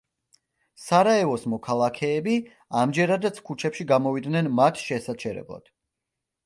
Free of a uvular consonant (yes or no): yes